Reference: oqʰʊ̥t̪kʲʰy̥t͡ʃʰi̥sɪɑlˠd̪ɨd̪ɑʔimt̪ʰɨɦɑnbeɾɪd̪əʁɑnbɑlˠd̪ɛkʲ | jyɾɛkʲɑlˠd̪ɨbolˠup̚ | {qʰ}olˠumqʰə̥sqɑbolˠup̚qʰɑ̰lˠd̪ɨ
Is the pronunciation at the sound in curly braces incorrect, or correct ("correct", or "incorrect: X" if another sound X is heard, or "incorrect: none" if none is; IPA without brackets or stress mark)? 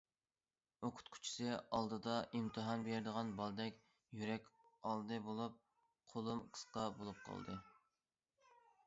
correct